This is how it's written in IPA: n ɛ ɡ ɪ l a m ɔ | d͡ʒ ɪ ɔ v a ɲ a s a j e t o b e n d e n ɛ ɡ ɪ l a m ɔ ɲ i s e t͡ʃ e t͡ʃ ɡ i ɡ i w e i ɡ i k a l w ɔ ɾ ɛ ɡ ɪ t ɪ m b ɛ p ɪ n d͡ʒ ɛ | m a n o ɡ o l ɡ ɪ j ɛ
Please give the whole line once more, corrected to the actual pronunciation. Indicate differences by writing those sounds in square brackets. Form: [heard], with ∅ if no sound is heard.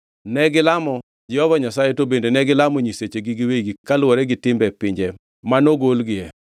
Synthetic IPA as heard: n ɛ ɡ ɪ l a m ɔ | d͡ʒ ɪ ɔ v a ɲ a s a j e t o b e n d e n ɛ ɡ ɪ l a m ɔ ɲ i s e t͡ʃ e [∅] ɡ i ɡ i w e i ɡ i k a l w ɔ ɾ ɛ ɡ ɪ t ɪ m b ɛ p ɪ [ɲ] d͡ʒ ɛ | m a n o ɡ o l ɡ ɪ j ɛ